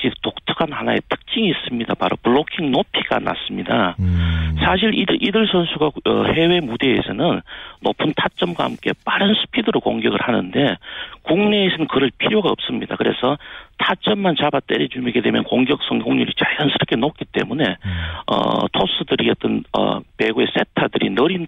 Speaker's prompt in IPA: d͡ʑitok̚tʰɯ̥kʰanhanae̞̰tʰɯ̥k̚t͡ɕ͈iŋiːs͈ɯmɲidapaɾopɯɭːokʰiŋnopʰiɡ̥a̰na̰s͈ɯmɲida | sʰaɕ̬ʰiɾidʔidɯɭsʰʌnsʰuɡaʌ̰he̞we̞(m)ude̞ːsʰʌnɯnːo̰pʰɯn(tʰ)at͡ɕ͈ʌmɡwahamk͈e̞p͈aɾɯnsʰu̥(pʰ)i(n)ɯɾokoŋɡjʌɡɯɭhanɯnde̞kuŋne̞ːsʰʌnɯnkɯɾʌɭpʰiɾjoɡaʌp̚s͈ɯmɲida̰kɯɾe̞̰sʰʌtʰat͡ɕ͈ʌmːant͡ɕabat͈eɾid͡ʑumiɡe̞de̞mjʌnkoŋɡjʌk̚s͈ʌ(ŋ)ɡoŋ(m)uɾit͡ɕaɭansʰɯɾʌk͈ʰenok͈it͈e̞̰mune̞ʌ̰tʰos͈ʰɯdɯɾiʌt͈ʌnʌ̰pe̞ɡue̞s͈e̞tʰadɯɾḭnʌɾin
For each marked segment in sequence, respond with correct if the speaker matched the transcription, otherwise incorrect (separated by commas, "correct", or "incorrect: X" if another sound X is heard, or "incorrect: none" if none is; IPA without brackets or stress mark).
correct, correct, correct, incorrect: d, correct, incorrect: ɲ